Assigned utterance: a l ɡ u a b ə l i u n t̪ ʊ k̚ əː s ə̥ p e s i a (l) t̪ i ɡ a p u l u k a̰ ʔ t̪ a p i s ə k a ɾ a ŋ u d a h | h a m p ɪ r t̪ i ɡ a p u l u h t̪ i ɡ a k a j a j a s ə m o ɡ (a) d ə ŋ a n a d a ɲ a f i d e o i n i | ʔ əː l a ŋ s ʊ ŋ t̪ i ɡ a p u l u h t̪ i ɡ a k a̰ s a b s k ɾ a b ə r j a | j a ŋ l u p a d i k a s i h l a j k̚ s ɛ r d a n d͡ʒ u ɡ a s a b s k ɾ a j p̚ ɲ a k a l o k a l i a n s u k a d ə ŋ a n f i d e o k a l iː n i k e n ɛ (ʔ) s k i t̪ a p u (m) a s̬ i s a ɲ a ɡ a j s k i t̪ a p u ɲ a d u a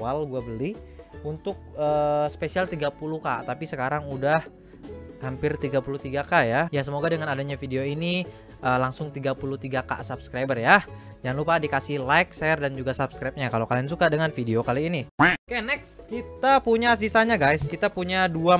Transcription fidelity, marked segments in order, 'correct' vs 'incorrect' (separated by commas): correct, correct, incorrect, incorrect